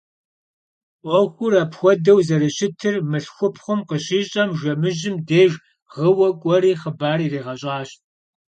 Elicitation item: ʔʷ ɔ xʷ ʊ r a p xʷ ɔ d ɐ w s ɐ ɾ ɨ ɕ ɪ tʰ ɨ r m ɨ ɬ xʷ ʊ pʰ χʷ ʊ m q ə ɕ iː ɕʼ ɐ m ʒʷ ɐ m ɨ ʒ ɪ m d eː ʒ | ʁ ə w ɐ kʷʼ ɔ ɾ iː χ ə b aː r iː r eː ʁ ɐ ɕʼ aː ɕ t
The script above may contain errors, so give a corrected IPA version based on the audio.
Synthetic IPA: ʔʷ ɔ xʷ ʊ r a p xʷ ɔ d ɐ w z ɐ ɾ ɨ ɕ ɪ tʰ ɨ r m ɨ ɬ xʷ ʊ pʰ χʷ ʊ m q ə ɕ iː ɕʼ ɐ m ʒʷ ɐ m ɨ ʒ ɪ m d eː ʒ | ʁ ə w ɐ kʷʼ ɔ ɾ iː χ ə b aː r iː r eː ʁ ɐ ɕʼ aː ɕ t